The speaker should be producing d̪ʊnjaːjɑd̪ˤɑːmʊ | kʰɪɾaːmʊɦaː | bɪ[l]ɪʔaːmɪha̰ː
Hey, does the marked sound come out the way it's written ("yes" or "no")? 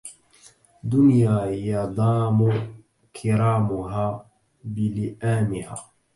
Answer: yes